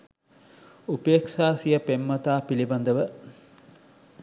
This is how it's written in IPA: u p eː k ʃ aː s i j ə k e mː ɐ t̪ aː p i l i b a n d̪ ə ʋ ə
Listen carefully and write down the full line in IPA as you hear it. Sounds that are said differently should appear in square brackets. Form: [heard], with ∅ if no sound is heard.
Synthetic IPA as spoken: u p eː k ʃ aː s i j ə [p] e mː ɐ t̪ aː p i l i b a n d̪ ə ʋ ə